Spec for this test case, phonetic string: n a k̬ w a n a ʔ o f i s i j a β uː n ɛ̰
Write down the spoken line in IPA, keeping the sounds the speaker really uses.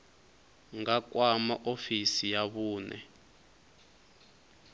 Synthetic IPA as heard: ŋ a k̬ w a m a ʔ o f i s i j a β uː n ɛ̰